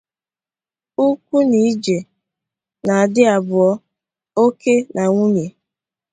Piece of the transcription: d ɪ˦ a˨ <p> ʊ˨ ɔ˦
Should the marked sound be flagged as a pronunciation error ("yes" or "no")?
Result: yes